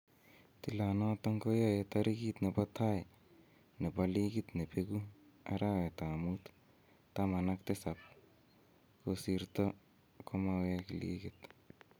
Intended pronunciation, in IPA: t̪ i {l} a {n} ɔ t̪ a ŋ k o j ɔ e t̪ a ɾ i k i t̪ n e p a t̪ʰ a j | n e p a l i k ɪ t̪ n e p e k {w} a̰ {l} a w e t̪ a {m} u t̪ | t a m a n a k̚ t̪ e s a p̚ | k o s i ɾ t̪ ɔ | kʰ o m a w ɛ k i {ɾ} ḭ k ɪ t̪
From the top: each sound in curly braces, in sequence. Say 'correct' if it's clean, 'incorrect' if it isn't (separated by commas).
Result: correct, correct, incorrect, incorrect, correct, incorrect